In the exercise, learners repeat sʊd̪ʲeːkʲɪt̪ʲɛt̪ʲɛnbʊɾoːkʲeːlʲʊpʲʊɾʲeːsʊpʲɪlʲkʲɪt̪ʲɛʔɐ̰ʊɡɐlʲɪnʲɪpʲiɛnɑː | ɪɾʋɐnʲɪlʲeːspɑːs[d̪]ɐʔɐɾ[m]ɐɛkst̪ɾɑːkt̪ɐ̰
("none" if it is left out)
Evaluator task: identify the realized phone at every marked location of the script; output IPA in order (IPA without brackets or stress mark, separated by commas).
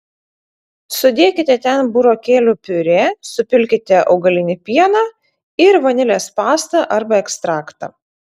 t̪, b